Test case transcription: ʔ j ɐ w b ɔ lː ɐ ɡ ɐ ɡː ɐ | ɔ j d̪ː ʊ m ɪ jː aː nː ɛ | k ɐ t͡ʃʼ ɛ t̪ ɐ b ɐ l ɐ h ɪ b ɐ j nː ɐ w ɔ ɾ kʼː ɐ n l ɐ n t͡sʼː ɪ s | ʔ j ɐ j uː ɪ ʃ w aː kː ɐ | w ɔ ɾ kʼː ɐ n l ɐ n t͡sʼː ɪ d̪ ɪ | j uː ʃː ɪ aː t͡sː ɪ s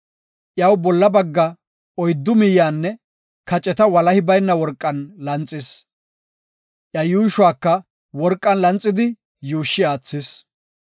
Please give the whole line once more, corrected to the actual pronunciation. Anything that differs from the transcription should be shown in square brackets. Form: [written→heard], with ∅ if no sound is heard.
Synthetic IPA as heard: ʔ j ɐ w b ɔ lː ɐ [ɡ→b] ɐ ɡː ɐ | ɔ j d̪ː ʊ m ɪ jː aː nː ɛ | k ɐ t͡ʃʼ ɛ t̪ ɐ [b→w] ɐ l ɐ h ɪ b ɐ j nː ɐ w ɔ ɾ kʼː ɐ n l ɐ n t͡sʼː ɪ s | ʔ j ɐ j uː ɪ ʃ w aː kː ɐ | w ɔ ɾ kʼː ɐ n l ɐ n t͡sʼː ɪ d̪ ɪ | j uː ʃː ɪ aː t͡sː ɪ s